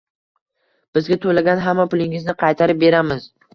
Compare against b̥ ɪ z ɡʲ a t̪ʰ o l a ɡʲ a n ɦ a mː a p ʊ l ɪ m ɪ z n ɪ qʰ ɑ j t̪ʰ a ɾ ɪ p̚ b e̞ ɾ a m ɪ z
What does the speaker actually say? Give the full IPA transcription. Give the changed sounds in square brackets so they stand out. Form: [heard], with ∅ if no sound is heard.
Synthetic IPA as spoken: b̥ ɪ z ɡʲ a t̪ʰ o l a ɡʲ a n ɦ a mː a p ʊ l ɪ [ŋ] ɪ z n ɪ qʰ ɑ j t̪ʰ a ɾ ɪ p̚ b e̞ ɾ a m ɪ z